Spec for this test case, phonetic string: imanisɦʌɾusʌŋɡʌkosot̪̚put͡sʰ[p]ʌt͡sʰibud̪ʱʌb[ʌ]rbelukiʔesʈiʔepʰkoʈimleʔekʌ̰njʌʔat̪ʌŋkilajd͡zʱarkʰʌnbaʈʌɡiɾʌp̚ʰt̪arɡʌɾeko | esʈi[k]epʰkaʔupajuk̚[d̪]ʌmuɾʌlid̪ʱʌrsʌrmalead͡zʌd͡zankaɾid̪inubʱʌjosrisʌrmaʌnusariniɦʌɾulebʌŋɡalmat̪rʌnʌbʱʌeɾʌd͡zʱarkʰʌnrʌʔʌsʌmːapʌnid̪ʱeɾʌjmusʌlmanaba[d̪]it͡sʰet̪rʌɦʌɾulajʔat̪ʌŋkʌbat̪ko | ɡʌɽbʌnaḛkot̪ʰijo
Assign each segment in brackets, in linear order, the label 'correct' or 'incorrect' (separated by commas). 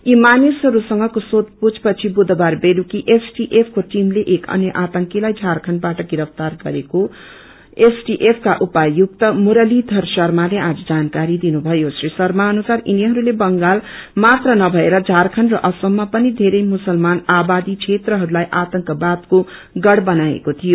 correct, incorrect, incorrect, incorrect, correct